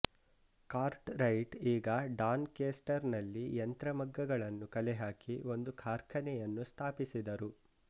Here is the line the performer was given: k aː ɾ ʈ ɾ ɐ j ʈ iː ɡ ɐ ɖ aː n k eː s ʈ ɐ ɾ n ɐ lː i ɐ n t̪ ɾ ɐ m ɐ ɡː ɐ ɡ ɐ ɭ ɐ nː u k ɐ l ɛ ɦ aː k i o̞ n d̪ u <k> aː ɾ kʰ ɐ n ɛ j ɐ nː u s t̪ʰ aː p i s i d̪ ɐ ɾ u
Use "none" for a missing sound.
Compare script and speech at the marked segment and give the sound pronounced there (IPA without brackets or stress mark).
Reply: kʰ